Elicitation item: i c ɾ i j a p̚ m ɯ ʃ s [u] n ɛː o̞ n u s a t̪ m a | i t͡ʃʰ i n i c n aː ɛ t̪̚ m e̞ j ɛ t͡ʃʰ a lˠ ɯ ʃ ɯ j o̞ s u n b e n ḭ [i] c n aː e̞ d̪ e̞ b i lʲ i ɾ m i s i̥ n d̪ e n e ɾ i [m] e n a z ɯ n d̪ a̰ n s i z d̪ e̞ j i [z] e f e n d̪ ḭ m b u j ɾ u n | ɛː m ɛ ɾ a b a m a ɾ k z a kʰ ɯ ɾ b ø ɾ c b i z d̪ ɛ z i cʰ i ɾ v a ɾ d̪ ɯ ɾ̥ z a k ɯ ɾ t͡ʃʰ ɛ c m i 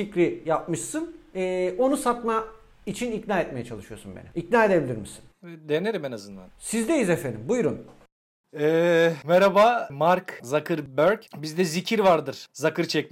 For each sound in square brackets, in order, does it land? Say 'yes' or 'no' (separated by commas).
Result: no, yes, yes, yes